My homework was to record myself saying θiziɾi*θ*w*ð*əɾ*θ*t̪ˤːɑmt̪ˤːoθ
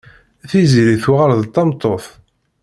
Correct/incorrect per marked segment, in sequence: correct, incorrect, incorrect

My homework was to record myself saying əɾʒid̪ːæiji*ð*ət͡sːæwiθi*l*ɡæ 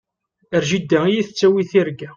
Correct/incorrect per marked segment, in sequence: incorrect, incorrect

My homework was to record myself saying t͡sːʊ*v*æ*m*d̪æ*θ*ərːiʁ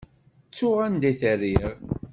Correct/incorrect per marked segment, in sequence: incorrect, incorrect, correct

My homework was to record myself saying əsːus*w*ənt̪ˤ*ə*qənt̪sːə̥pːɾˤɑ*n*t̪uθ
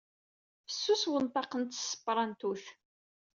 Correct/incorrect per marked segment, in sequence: correct, incorrect, correct

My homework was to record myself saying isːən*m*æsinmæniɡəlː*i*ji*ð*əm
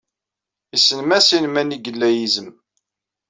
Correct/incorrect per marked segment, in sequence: correct, incorrect, incorrect

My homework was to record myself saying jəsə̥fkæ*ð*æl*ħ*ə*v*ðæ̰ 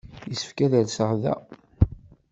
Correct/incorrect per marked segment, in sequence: correct, incorrect, incorrect

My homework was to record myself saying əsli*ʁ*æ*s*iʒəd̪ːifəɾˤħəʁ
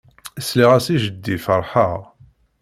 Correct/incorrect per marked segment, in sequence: correct, correct

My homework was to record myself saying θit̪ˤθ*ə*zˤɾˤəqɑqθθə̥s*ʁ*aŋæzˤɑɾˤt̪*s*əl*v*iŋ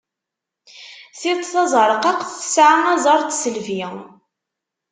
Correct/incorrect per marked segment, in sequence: incorrect, incorrect, correct, correct

